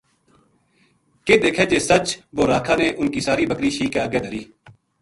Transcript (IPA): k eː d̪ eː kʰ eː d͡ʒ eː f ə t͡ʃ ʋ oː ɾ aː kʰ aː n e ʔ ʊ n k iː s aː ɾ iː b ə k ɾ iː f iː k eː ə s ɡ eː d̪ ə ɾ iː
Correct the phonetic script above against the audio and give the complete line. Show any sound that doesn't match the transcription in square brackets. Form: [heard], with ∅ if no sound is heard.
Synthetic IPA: k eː d̪ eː kʰ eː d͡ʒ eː [s] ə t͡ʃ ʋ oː ɾ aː kʰ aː n e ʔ ʊ n k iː s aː ɾ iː b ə k ɾ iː [ʃ] iː k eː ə [∅] ɡ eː d̪ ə ɾ iː